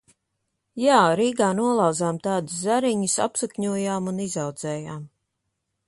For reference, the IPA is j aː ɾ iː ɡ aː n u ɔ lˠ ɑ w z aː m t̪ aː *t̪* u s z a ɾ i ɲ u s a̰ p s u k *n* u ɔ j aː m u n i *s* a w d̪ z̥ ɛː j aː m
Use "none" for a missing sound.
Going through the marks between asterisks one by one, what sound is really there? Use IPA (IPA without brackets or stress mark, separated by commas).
d̪, ɲ, z